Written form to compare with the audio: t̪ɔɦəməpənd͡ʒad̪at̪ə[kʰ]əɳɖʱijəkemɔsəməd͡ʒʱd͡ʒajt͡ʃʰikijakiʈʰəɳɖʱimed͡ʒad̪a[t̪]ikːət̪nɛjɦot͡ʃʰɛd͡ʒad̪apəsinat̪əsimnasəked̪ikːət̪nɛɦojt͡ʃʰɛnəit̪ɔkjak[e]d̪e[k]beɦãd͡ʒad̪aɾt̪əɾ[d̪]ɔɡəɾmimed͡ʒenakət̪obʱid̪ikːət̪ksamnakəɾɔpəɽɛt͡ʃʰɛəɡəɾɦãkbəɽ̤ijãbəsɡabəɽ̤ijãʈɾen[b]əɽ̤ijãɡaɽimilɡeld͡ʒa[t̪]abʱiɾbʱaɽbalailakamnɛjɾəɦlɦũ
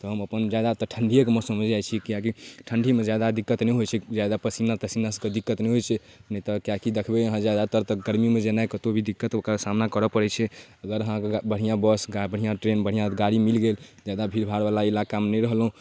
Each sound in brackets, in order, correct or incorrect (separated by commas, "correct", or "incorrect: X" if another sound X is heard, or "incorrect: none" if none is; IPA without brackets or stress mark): incorrect: ʈʰ, incorrect: d̪, incorrect: i, incorrect: kʰ, incorrect: t̪, correct, incorrect: d̪